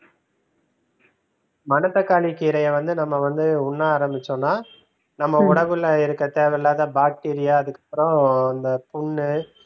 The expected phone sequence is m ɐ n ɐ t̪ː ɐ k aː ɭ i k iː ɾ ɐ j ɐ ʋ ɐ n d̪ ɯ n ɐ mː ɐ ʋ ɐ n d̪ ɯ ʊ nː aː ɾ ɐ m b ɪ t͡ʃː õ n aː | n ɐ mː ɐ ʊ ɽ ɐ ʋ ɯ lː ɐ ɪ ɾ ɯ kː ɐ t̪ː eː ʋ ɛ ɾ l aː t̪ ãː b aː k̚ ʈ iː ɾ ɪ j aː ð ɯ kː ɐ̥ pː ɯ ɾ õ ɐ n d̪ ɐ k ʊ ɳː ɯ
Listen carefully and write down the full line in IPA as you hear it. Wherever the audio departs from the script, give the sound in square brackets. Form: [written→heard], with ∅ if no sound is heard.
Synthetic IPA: m ɐ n ɐ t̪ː ɐ k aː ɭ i k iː ɾ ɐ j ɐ ʋ ɐ n d̪ ɯ n ɐ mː ɐ ʋ ɐ n d̪ ɯ ʊ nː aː ɾ ɐ m b ɪ t͡ʃː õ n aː | n ɐ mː ɐ ʊ ɽ ɐ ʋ ɯ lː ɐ ɪ ɾ ɯ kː ɐ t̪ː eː ʋ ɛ ɾ l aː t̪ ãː b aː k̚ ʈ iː ɾ ɪ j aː ð ɯ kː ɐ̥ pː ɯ ɾ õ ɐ n d̪ ɐ [k→p] ʊ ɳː ɯ